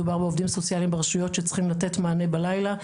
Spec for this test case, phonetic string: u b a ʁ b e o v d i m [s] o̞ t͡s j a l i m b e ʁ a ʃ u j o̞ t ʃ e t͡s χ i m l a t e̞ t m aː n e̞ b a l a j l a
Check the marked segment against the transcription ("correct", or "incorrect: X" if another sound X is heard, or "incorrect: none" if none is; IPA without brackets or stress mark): correct